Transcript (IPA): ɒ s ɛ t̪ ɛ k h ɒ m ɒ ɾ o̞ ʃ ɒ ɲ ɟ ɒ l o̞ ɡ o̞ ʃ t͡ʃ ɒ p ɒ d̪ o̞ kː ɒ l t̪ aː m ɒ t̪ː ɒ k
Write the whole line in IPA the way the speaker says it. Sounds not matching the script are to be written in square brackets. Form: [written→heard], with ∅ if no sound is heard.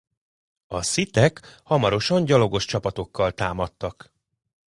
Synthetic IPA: ɒ s [ɛ→i] t̪ ɛ k h ɒ m ɒ ɾ o̞ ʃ ɒ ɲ ɟ ɒ l o̞ ɡ o̞ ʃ t͡ʃ ɒ p ɒ [d̪→t̪] o̞ kː ɒ l t̪ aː m ɒ t̪ː ɒ k